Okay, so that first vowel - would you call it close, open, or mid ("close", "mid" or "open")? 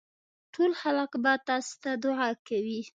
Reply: mid